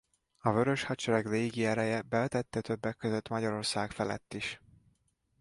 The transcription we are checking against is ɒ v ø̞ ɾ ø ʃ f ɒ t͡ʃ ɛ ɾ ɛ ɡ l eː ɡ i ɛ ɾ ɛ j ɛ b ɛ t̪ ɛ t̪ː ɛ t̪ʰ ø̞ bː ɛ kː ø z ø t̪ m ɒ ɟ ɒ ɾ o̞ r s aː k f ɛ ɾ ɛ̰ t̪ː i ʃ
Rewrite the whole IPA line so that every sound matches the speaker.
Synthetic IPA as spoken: ɒ v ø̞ ɾ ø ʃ h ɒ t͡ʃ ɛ ɾ ɛ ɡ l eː ɡ i ɛ ɾ ɛ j ɛ b ɛ t̪ ɛ t̪ː ɛ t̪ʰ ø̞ bː ɛ kː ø z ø t̪ m ɒ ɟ ɒ ɾ o̞ r s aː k f ɛ l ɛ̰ t̪ː i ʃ